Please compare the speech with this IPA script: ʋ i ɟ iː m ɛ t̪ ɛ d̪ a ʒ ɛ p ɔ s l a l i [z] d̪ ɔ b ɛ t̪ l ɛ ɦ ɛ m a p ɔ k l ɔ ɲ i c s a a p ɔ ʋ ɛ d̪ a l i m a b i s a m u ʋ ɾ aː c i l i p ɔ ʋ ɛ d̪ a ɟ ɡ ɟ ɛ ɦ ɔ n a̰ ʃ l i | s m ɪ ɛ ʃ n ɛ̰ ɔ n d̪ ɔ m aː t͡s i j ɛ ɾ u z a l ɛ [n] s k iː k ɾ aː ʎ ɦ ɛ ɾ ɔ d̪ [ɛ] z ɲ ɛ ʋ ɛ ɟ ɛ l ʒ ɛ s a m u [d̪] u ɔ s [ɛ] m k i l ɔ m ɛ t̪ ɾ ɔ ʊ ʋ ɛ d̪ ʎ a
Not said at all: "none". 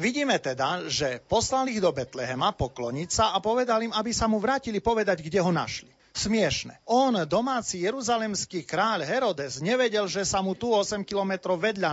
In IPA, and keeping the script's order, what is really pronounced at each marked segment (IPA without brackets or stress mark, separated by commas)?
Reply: ɣ, m, ɛ, t̪, ɛ